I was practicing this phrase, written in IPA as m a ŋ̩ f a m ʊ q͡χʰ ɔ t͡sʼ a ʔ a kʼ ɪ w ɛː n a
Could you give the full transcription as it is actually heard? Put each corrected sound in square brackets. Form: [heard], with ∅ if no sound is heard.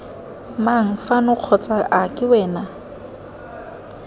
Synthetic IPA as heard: m a ŋ̩ f a [n] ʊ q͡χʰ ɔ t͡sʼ a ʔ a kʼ ɪ w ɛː n a